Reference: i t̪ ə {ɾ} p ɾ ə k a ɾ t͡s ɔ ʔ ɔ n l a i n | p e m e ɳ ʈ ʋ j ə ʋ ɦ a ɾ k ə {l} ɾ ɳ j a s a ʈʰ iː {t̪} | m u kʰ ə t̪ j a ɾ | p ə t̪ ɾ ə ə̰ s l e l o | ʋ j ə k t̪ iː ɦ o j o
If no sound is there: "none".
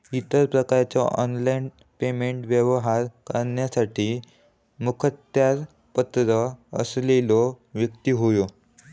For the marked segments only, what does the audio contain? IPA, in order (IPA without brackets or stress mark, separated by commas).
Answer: ɾ, none, none